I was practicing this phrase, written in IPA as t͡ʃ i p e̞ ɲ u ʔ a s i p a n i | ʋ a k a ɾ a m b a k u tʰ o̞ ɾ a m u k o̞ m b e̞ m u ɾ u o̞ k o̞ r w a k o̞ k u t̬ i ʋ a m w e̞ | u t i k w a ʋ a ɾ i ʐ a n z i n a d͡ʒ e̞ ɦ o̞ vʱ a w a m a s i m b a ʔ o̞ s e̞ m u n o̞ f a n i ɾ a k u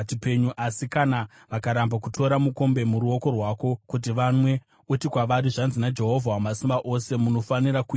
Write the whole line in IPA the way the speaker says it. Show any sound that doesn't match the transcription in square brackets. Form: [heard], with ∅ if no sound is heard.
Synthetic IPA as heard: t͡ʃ i p e̞ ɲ u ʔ a s i [k] a n [a] | ʋ a k a ɾ a m b a k u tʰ o̞ ɾ a m u k o̞ m b e̞ m u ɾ u o̞ k o̞ r w a k o̞ k u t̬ i ʋ a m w e̞ | u t i k w a ʋ a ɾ i ʐ a n z i n a d͡ʒ e̞ ɦ o̞ vʱ a w a m a s i m b a ʔ o̞ s e̞ m u n o̞ f a n i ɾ a k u